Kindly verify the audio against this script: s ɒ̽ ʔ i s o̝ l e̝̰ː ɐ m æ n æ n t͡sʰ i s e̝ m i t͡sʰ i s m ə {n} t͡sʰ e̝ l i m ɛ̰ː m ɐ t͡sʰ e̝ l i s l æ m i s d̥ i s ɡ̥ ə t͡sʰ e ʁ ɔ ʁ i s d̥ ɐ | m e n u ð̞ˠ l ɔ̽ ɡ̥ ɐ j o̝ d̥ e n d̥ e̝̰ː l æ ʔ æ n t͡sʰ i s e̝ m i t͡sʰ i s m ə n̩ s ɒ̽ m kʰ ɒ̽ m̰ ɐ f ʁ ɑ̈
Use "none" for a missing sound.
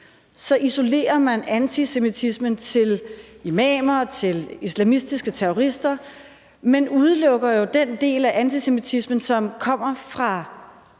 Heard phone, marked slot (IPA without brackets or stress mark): n